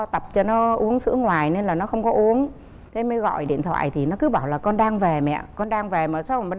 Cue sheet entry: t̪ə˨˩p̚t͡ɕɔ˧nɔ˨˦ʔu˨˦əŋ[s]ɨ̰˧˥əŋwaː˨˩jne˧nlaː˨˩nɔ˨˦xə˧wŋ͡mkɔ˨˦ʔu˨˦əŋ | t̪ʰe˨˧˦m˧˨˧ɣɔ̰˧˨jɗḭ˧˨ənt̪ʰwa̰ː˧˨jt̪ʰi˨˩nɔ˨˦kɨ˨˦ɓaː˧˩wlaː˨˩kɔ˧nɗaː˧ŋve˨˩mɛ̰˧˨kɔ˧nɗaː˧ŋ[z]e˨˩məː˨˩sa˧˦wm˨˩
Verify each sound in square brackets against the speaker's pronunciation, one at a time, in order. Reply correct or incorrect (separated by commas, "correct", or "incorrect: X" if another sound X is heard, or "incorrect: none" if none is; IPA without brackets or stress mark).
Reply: correct, incorrect: v